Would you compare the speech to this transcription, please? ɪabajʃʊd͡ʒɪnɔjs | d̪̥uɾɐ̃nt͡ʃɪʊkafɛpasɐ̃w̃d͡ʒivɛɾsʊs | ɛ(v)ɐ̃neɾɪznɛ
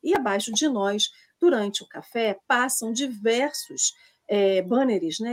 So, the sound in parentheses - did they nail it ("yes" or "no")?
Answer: no